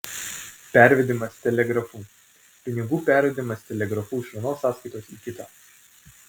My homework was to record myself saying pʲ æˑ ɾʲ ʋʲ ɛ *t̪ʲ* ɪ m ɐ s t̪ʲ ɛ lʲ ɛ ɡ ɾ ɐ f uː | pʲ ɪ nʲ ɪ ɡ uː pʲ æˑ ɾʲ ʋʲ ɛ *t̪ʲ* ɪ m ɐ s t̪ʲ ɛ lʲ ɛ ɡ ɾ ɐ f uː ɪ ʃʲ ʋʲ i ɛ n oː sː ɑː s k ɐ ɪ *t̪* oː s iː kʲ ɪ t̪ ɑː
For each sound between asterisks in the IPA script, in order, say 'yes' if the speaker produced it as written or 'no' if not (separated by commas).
no, no, yes